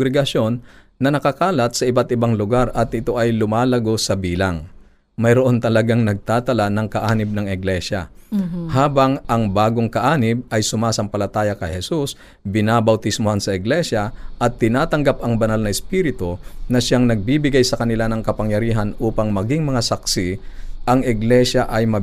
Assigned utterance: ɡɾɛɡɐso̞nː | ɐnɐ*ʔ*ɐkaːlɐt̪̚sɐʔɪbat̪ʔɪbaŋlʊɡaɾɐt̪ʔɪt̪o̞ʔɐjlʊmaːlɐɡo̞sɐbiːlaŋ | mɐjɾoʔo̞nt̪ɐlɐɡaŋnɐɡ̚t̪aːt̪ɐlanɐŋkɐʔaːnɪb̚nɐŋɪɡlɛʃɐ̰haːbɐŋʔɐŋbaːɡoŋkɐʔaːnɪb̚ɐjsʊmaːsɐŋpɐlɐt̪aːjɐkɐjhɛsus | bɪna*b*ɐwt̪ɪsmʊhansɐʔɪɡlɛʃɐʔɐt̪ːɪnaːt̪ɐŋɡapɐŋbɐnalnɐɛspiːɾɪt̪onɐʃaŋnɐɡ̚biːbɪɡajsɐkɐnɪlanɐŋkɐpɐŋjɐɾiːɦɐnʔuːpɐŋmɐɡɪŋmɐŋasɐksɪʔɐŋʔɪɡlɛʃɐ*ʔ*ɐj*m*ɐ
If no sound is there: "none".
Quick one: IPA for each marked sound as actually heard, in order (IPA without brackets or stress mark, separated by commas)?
k, b, ʔ, m